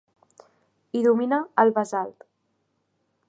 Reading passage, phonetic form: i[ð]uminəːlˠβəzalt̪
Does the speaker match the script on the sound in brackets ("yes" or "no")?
yes